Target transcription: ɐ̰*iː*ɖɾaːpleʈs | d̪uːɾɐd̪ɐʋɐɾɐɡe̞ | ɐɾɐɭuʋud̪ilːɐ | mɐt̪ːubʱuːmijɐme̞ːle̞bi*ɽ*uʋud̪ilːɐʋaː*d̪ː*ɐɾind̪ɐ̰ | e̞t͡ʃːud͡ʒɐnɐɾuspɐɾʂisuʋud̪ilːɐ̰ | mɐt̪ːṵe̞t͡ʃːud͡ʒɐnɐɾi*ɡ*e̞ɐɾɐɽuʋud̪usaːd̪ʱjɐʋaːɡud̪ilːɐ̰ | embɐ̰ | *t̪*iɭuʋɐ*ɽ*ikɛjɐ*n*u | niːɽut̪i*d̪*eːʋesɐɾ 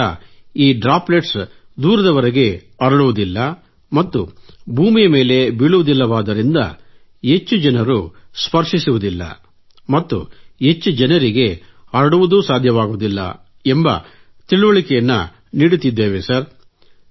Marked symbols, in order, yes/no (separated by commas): yes, no, no, yes, yes, no, no, no